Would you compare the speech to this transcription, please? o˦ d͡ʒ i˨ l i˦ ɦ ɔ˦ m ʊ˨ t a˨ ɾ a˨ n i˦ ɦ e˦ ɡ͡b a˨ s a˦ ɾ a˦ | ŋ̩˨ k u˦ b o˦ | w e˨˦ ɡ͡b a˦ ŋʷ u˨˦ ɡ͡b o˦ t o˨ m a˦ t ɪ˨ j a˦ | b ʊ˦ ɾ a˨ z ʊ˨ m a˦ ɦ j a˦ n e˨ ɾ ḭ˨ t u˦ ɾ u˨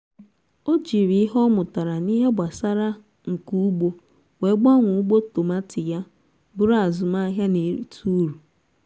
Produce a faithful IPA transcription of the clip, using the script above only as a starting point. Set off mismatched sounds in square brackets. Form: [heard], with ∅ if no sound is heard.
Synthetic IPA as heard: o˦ d͡ʒ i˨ [ɾ] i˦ ɦ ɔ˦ m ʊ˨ t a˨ ɾ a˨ n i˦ ɦ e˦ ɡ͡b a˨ s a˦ ɾ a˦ | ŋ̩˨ k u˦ [ɡ͡b] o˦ | w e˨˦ ɡ͡b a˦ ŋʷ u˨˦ ɡ͡b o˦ t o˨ m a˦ t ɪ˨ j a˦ | b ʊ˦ ɾ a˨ z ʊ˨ m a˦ ɦ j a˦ n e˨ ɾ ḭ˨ t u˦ ɾ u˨